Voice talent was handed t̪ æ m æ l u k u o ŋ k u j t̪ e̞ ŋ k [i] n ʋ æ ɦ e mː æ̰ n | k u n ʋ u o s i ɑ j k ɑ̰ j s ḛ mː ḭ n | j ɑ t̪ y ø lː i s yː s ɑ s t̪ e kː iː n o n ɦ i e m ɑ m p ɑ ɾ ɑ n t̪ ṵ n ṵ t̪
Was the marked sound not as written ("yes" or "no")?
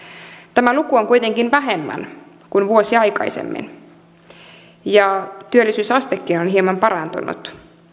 no